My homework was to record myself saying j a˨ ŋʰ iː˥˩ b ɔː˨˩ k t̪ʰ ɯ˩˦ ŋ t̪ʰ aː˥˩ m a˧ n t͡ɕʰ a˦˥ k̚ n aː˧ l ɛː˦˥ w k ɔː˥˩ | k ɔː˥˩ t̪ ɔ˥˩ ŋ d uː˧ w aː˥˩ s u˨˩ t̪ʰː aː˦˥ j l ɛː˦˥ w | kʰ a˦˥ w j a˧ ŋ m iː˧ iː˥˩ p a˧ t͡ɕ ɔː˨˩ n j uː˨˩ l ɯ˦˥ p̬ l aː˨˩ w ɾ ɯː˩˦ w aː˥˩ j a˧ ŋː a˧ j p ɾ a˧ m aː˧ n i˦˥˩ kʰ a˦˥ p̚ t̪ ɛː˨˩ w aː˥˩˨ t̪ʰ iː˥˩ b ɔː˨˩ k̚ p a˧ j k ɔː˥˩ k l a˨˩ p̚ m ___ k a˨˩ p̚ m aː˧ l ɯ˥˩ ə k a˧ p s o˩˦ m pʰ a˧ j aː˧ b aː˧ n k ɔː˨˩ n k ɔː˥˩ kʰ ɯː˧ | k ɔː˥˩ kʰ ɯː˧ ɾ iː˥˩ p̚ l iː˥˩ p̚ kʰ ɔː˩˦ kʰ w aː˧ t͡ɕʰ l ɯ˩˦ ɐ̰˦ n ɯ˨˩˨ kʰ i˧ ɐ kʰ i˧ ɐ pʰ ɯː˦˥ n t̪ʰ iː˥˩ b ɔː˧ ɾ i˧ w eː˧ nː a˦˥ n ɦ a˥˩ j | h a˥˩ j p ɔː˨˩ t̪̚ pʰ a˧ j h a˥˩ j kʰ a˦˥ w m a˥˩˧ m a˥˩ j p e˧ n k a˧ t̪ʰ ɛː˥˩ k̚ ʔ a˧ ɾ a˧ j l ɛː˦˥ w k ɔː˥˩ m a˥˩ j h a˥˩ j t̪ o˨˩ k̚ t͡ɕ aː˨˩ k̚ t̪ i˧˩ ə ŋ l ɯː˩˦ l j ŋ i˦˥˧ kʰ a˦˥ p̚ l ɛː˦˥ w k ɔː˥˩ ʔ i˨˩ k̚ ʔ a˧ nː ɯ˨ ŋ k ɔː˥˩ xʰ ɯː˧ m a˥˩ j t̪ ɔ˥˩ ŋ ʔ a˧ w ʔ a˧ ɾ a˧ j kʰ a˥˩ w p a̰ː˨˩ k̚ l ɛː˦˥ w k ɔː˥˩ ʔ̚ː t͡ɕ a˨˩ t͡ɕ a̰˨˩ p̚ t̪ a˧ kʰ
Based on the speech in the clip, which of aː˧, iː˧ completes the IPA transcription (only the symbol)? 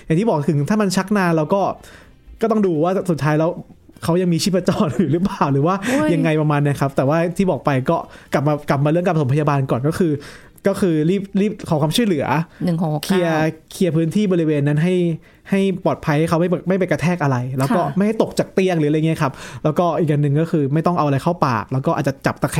aː˧